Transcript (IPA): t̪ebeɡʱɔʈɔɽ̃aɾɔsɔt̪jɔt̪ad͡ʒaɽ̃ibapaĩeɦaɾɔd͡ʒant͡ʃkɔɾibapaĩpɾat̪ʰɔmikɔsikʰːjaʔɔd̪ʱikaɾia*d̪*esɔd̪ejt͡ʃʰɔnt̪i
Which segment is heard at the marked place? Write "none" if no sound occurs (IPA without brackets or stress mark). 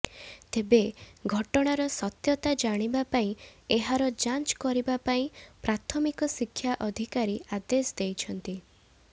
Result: d̪